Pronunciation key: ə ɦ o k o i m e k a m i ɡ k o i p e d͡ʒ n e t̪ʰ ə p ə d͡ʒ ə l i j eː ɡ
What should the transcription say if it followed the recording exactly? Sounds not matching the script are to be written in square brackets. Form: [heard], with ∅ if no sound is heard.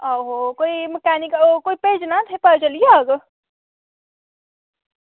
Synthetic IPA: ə ɦ o k o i m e k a [n] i [k] k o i p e d͡ʒ n [a] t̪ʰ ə p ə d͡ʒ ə l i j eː ɡ